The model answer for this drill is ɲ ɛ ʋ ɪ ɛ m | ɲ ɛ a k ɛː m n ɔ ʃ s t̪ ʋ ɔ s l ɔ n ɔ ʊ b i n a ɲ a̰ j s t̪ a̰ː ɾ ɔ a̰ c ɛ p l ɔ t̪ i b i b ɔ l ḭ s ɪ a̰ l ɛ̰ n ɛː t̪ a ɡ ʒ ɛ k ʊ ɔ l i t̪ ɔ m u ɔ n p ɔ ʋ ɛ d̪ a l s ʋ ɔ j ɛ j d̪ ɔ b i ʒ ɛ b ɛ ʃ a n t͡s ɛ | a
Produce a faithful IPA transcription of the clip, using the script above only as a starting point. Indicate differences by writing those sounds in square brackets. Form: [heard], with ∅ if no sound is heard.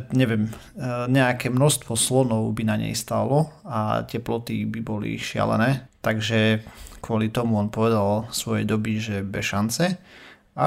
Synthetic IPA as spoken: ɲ ɛ ʋ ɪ ɛ m | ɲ ɛ a k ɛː m n ɔ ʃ s t̪ ʋ ɔ s l ɔ n ɔ ʊ b i n a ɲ [ɛ̰] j s t̪ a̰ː [l] ɔ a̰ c ɛ p l ɔ t̪ i b i b ɔ l ḭ [ʃ] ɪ a̰ l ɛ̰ n ɛː t̪ a ɡ ʒ ɛ k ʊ ɔ l i t̪ ɔ m u ɔ n p ɔ ʋ ɛ d̪ a l s ʋ ɔ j ɛ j d̪ ɔ b i ʒ ɛ b ɛ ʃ a n t͡s ɛ | a